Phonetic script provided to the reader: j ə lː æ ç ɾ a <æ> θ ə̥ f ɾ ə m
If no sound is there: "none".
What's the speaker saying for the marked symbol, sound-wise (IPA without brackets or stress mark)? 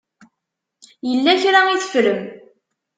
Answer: i